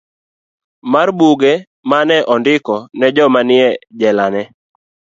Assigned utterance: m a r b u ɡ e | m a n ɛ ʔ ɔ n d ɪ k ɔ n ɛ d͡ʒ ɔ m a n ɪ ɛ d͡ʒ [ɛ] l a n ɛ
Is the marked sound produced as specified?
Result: yes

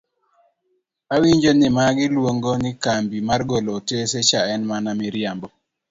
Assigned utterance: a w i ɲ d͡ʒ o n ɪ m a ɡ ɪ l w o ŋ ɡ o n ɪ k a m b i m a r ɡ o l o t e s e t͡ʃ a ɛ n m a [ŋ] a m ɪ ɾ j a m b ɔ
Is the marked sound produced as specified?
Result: no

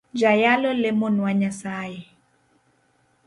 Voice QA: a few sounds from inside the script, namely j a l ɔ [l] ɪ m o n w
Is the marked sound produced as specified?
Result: yes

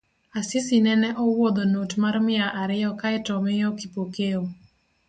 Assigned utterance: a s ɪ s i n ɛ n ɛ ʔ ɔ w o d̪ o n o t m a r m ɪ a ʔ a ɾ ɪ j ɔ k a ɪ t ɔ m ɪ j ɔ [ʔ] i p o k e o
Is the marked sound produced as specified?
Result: no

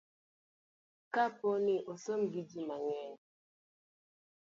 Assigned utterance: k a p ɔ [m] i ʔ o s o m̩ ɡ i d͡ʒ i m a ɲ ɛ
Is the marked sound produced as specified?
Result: no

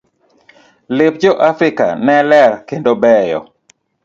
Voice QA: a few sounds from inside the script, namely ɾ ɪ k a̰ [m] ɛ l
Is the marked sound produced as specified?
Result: no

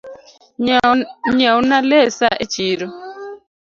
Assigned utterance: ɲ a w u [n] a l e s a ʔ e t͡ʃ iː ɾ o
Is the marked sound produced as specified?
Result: yes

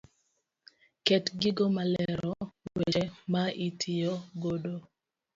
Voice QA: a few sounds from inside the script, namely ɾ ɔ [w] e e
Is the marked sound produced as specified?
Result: yes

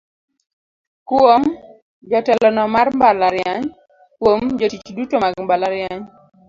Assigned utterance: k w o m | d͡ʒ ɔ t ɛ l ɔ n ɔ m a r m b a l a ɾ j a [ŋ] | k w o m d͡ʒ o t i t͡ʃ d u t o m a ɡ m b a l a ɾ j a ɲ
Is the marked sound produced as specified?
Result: no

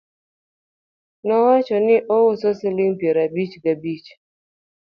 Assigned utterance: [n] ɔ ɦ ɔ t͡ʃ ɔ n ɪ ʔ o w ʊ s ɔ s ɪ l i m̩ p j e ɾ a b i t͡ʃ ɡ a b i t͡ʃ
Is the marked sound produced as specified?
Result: yes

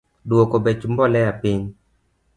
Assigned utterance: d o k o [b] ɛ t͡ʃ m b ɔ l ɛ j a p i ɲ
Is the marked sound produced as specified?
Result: yes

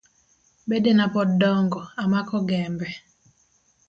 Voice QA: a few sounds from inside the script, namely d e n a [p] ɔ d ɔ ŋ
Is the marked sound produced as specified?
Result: yes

